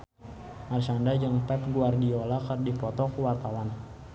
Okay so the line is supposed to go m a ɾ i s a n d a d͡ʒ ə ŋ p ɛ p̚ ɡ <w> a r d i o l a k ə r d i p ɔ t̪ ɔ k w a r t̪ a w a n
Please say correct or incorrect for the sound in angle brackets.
incorrect